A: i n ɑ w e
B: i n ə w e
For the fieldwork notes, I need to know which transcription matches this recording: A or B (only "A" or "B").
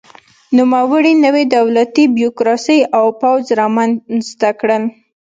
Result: B